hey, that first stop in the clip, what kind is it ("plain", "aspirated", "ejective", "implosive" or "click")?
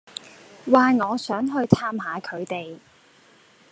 aspirated